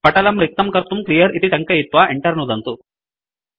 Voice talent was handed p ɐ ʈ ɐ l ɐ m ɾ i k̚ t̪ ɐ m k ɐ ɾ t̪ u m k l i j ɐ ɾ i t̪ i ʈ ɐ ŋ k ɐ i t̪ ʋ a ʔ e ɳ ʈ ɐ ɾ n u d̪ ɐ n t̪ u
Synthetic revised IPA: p ɐ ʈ ɐ l ɐ m ɾ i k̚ t̪ ɐ m k ɐ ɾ t̪ u m k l i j ɐ ɾ i t̪ i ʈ ɐ ŋ k ɐ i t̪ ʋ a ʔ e ɳ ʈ ɐ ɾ n u d̪ ɐ n t̪ u